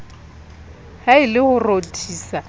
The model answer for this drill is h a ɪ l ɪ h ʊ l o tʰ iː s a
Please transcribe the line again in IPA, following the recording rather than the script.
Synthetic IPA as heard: h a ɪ l ɪ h ʊ r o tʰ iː s a